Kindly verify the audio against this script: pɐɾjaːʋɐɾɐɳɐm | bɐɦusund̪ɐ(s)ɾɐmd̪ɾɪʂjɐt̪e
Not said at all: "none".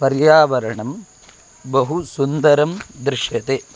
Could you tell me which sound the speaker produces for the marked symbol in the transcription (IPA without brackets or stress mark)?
none